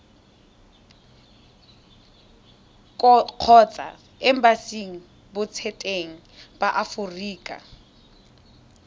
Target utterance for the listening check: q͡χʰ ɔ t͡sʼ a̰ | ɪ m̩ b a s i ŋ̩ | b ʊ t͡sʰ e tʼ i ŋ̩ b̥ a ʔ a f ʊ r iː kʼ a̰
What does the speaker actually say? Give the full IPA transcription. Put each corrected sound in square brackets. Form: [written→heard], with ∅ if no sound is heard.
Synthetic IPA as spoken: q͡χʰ ɔ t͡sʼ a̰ | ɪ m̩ b a s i ŋ̩ | b ʊ t͡sʰ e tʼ [i→e] ŋ̩ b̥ a ʔ a f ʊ r iː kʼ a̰